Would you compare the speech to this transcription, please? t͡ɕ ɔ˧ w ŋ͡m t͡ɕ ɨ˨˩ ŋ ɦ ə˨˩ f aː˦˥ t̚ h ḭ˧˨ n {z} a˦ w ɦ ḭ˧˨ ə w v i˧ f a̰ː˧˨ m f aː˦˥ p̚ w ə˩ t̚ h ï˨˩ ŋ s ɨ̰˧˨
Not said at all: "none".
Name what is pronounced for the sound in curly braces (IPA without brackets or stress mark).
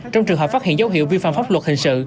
z